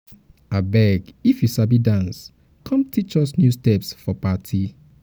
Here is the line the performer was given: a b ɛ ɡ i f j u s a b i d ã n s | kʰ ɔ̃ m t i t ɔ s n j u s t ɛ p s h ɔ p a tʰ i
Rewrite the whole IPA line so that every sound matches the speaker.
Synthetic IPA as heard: a b ɛ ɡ i f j u s a b i d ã n s | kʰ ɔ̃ m t i t͡ʃ ɔ s n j u s t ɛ p s f ɔ p a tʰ i